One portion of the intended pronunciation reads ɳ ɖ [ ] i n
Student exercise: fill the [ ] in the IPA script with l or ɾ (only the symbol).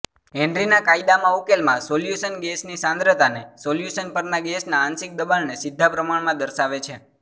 ɾ